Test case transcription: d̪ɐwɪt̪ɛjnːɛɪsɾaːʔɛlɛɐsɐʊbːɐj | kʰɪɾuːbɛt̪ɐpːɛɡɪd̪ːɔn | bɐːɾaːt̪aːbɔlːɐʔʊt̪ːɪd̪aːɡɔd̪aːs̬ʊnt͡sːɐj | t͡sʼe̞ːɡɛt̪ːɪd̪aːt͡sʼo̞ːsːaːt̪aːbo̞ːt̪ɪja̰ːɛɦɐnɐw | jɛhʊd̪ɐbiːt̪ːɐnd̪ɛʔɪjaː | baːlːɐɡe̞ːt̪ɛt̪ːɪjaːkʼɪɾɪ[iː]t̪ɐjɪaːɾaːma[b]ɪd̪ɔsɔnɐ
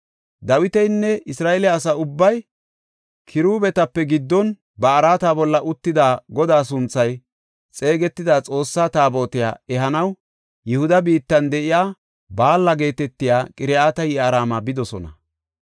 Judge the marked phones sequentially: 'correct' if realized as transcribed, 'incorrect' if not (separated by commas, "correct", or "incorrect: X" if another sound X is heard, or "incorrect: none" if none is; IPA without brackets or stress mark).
incorrect: aː, correct